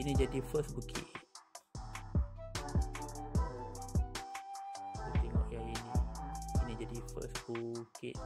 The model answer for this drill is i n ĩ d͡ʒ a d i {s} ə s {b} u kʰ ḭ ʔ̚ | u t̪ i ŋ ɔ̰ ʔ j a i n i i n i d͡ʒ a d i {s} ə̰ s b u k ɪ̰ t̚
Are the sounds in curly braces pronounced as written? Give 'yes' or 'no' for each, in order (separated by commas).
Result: no, yes, no